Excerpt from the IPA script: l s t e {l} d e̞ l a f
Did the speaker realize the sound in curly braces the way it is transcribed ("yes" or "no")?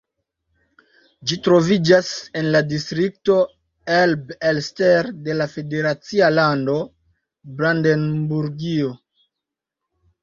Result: no